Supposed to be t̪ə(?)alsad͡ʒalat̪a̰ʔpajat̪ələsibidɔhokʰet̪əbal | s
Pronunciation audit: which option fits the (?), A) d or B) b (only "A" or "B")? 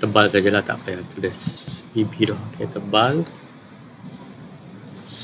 B